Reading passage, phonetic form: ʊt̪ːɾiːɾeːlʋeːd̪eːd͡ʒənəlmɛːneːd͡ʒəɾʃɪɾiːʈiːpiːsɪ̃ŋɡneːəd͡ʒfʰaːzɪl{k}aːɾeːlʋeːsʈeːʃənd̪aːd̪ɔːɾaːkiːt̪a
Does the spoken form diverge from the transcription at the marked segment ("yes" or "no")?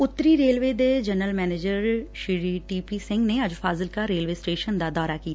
no